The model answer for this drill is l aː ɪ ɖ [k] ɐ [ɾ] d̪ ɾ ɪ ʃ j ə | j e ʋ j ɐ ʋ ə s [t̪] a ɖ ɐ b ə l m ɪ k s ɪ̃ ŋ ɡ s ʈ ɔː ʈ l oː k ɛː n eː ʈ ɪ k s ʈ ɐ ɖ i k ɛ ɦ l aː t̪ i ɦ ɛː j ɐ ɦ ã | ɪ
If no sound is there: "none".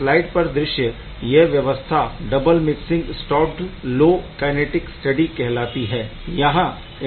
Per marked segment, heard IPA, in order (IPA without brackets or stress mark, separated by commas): p, ɾ, t̪ʰ